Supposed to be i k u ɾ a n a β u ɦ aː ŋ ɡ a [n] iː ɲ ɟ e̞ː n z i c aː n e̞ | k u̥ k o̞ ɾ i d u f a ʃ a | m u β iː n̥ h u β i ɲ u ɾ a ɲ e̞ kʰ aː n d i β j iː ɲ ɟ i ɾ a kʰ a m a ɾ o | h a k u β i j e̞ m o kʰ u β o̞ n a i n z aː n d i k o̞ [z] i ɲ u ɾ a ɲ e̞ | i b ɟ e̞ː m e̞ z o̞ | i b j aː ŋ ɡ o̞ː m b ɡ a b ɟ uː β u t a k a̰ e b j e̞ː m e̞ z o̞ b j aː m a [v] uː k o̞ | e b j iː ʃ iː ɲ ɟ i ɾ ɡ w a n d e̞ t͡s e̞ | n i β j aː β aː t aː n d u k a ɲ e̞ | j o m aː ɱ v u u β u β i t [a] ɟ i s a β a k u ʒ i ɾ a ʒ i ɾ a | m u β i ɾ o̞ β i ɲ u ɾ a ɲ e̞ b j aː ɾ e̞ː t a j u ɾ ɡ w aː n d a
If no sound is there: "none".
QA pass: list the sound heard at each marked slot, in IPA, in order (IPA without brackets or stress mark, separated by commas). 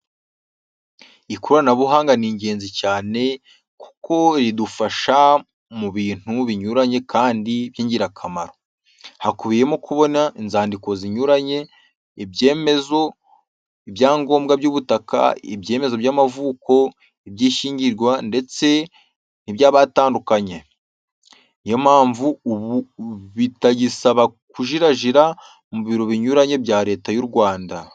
n, z, v, a